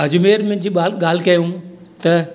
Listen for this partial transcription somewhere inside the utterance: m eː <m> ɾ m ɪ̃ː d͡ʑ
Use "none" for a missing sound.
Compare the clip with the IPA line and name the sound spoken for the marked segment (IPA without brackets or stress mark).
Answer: none